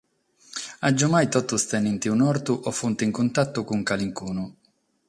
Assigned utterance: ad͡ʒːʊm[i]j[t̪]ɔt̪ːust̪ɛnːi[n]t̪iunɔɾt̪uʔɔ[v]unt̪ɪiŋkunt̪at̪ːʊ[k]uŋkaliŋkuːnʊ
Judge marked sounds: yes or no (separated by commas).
no, yes, yes, no, yes